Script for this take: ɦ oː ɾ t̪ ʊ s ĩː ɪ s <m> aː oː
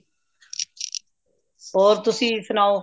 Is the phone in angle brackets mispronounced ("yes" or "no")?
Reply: yes